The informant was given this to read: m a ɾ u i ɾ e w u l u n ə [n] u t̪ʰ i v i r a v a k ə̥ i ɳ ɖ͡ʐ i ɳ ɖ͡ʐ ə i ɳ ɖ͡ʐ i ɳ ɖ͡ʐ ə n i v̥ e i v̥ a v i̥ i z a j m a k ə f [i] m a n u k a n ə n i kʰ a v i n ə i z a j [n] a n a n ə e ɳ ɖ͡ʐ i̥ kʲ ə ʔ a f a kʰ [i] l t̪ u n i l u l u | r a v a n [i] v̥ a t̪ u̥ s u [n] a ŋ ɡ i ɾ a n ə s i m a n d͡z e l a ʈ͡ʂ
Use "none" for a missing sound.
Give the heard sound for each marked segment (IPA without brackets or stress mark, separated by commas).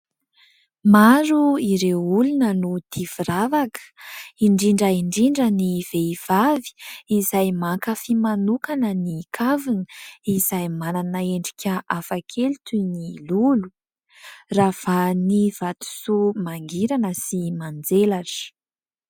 n, i, m, e, i, m